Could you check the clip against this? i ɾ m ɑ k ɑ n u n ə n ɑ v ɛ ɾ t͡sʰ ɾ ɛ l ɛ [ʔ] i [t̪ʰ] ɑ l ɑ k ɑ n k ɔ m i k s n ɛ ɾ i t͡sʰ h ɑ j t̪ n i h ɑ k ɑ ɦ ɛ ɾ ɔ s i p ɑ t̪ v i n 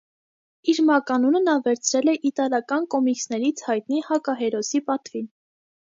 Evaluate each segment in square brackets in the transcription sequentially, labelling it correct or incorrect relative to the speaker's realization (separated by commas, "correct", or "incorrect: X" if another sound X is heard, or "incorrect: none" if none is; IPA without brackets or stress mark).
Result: correct, incorrect: t̪